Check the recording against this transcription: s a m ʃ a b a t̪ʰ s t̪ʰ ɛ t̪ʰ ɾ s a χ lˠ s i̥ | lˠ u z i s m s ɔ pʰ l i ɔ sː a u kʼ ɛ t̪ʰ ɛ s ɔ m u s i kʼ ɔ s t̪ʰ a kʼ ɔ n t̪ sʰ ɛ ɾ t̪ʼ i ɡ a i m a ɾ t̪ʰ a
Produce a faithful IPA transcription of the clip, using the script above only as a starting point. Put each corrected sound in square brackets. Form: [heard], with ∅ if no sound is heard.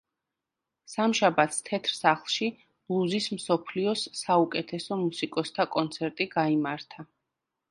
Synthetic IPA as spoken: s a m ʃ a b a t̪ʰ s t̪ʰ ɛ t̪ʰ ɾ s a χ lˠ [ʃ] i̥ | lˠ u z i s m s ɔ pʰ l i ɔ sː a u kʼ ɛ t̪ʰ ɛ s ɔ m u s i kʼ ɔ s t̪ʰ a kʼ ɔ n t̪ sʰ ɛ ɾ t̪ʼ i ɡ a i m a ɾ t̪ʰ a